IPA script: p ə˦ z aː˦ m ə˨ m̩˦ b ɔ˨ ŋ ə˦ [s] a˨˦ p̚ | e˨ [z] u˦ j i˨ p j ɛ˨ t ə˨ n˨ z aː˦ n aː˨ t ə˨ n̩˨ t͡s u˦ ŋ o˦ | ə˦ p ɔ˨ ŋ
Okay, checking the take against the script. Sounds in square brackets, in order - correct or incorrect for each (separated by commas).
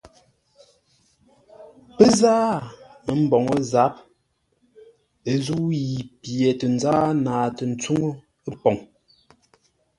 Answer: incorrect, correct